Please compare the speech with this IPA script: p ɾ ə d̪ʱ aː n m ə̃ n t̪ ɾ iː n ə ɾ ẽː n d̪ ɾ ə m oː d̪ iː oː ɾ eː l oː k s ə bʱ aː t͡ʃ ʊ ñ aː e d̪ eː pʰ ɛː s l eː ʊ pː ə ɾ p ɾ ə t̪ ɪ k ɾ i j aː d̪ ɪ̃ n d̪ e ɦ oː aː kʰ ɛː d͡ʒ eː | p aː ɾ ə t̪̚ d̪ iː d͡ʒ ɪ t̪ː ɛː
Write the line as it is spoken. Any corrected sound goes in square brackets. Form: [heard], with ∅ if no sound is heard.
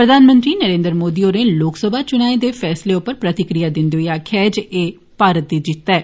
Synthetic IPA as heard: p ɾ ə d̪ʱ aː n m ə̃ n t̪ ɾ iː n ə ɾ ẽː n d̪ ɾ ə m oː d̪ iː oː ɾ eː l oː k s ə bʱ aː t͡ʃ ʊ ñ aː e d̪ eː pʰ ɛː s l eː ʊ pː ə ɾ p ɾ ə t̪ ɪ k ɾ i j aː d̪ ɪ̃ n d̪ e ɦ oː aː kʰ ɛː d͡ʒ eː | p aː ɾ ə t̪̚ d̪ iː d͡ʒ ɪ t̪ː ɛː